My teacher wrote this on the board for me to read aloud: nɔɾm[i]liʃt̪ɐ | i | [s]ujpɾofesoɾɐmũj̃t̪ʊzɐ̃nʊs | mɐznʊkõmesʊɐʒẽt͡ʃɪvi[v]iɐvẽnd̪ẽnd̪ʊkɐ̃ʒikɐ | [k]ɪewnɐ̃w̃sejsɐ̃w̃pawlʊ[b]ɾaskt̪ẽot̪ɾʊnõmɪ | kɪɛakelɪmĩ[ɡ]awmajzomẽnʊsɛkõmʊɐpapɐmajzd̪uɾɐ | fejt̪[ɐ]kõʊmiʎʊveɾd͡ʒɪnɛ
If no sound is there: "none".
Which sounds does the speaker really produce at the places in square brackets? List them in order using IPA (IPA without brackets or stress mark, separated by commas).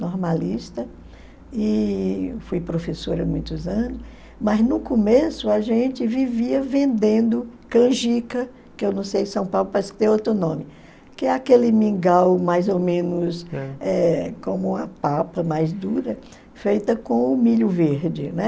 a, f, v, k, p, ɡ, ɐ